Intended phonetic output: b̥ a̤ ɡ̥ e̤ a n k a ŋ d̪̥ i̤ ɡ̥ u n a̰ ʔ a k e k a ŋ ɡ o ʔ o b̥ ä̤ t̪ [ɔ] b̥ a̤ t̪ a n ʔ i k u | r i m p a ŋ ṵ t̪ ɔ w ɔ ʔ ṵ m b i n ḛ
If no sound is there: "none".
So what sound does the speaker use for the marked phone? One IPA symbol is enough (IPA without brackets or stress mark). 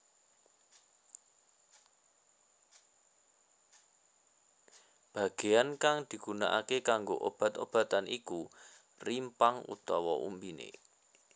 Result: o